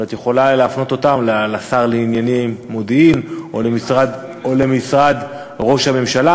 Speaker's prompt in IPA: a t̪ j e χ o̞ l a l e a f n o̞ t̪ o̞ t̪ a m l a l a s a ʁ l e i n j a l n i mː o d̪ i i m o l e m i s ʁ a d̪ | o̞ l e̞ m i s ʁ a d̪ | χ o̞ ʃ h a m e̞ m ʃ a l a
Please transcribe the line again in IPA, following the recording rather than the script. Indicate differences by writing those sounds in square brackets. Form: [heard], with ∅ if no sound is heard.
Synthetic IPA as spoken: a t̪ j e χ o̞ l a l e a f n o̞ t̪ o̞ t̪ a m l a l a s a ʁ l e i n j a [∅] n i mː o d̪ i i m o l e m i s ʁ a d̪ | o̞ l e̞ m i s ʁ a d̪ | [ʁ] o̞ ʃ h a m e̞ m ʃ a l a